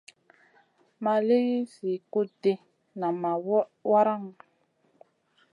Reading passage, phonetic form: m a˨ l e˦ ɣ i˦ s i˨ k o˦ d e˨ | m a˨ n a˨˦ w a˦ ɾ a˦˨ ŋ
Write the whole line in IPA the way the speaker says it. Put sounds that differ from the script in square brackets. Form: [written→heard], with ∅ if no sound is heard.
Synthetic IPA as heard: m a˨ l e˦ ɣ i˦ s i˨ k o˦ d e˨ | [m→n] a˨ [n→m] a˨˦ w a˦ ɾ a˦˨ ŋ